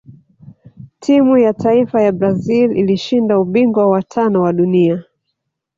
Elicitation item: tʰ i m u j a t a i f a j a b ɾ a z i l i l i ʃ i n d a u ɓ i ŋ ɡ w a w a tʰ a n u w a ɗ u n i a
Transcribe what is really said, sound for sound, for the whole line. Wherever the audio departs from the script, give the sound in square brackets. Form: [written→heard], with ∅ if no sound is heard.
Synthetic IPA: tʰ i m u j a t a i f a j a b ɾ a z i l i l i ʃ i n d a u ɓ i ŋ ɡ w a w a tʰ a n [u→ɔ] w a ɗ u n i a

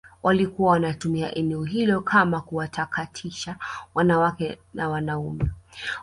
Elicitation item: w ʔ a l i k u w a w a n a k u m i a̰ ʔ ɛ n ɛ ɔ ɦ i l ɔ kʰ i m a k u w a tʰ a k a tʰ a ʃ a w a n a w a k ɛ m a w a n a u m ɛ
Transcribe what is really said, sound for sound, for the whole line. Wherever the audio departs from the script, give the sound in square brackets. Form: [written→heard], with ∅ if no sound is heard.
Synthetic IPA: w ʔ a l i k u w a w a n a [k→t] u m i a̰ ʔ ɛ n ɛ ɔ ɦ i l ɔ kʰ [i→a] m a k u w a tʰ a k a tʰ [a→i] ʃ a w a n a w a k ɛ [m→n] a w a n a u m ɛ

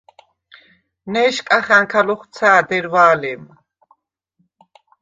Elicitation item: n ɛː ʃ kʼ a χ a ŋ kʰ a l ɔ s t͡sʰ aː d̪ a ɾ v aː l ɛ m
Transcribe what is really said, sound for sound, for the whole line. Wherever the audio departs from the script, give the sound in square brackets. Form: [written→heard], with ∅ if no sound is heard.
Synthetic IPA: n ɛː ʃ kʼ a χ a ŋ kʰ a l ɔ [s→χ] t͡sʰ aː d̪ [a→ɛ] ɾ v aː l ɛ m

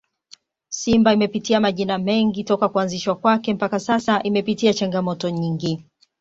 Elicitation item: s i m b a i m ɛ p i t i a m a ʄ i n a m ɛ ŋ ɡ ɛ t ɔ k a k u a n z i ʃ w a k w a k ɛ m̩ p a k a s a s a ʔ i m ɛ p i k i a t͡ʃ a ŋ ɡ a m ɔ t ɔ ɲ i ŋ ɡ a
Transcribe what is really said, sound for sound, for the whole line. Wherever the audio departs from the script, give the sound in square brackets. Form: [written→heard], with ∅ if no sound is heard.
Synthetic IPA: s i m b a i m ɛ p i t i a m a ʄ i n a m ɛ ŋ ɡ [ɛ→i] t ɔ k a k u a n z i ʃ w a k w a k ɛ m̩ p a k a s a s a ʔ i m ɛ p i [k→t] i a t͡ʃ a ŋ ɡ a m ɔ t ɔ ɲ i ŋ ɡ [a→i]

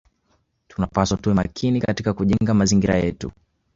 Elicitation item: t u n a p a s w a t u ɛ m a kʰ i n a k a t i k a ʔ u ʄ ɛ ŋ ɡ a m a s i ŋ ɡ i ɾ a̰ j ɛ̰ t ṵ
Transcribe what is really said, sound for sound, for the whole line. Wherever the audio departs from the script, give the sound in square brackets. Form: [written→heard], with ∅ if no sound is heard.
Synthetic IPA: t u n a p a s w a t u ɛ m a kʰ i n [a→i] k a t i k a [ʔ→k] u ʄ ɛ ŋ ɡ a m a [s→z] i ŋ ɡ i ɾ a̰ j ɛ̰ t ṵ

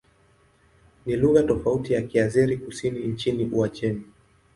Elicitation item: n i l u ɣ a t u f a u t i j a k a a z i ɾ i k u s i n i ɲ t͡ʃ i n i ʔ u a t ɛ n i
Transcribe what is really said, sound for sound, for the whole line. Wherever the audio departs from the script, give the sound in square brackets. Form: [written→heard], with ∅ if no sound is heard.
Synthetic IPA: n i l u ɣ a t [u→ɔ] f a u t i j a k [a→i] a z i ɾ i k u s i n i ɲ t͡ʃ i n i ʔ u a [t→t͡ʃ] ɛ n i

